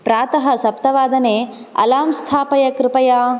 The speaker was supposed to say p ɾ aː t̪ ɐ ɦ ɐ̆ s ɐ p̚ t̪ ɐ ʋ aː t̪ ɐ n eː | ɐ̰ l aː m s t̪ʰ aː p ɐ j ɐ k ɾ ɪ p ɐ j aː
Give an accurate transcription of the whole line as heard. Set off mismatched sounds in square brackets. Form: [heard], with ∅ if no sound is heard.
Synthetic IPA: p ɾ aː t̪ ɐ ɦ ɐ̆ s ɐ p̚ t̪ ɐ ʋ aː [d̪] ɐ n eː | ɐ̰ l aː m s t̪ʰ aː p ɐ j ɐ k ɾ ɪ p ɐ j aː